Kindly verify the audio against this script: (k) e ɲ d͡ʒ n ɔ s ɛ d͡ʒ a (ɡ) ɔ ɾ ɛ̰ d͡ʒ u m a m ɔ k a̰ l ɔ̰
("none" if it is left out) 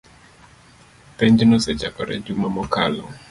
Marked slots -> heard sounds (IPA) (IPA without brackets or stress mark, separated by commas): p, k